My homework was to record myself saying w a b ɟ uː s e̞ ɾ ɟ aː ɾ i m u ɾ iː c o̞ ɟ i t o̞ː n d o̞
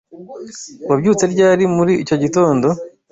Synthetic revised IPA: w a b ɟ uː t͡s e̞ ɾ ɟ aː ɾ i m u ɾ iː c o̞ ɟ i t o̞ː n d o̞

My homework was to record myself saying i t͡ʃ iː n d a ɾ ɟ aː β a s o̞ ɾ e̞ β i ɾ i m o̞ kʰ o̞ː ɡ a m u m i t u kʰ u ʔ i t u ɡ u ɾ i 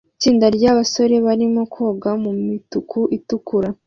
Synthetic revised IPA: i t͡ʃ iː n d a ɾ ɟ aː β a s o̞ ɾ e̞ β a ɾ i m o̞ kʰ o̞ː ɡ a m u m i t u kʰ u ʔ i t u k u ɾ a

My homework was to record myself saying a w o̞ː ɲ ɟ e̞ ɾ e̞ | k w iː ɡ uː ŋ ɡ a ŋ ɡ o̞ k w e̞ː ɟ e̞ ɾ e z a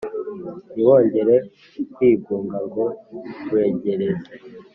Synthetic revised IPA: i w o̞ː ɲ ɟ e̞ ɾ e̞ | k w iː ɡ uː ŋ ɡ a ŋ ɡ o̞ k w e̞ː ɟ e̞ ɾ e z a

